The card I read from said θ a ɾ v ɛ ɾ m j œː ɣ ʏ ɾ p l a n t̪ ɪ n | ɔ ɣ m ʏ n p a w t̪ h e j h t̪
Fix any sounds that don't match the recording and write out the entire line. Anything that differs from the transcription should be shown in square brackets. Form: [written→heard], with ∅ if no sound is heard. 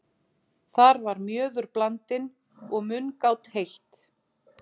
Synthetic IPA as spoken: θ a ɾ v [ɛ→a] ɾ m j œː [ɣ→ð] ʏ ɾ p l a n t̪ ɪ n | ɔ ɣ m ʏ n [p→k] a w t̪ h e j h t̪